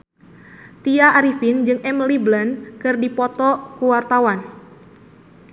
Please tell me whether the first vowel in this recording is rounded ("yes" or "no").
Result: no